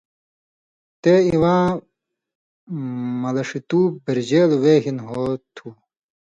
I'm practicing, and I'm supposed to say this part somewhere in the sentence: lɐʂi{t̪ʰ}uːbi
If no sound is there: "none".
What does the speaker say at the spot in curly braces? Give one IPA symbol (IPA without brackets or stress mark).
t̪